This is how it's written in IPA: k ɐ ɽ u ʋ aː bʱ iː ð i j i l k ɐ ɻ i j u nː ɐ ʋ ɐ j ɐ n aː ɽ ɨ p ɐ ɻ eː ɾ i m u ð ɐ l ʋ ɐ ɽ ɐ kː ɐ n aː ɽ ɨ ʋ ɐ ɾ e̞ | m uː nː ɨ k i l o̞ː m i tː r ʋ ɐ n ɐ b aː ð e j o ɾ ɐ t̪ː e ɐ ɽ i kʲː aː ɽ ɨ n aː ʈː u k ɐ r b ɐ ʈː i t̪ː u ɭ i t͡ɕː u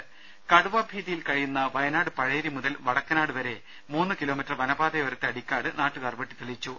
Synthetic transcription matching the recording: k ɐ ɽ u ʋ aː bʱ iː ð i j i l k ɐ ɻ i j u nː ɐ ʋ ɐ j ɐ n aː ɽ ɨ p ɐ ɻ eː ɾ i m u ð ɐ l ʋ ɐ ɽ ɐ kː ɐ n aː ɽ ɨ ʋ ɐ ɾ e̞ | m uː nː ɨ k i l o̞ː m i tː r ʋ ɐ n ɐ b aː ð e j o ɾ ɐ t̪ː e ɐ ɽ i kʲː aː ɽ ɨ n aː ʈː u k ɐ r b ɐ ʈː i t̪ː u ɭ i t͡ɕː u